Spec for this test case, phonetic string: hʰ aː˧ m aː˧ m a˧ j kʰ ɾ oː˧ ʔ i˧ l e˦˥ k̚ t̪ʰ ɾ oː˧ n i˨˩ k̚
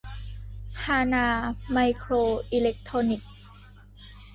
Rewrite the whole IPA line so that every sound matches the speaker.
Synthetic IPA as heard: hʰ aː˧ n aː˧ m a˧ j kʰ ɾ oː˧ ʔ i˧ l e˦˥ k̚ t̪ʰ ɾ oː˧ n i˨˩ k̚